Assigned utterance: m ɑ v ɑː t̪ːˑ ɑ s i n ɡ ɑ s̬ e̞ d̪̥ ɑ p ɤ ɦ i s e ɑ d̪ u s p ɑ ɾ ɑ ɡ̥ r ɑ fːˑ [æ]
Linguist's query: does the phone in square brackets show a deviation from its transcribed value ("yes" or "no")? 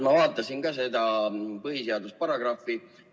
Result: yes